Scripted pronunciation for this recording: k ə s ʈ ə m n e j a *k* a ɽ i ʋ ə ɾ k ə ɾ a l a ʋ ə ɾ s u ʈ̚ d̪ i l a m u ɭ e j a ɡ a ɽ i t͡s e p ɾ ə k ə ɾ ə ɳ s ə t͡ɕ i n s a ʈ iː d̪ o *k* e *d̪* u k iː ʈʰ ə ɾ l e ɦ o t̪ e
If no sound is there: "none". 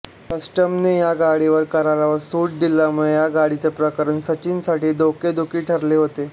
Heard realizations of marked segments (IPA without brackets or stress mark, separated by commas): ɡ, k, d̪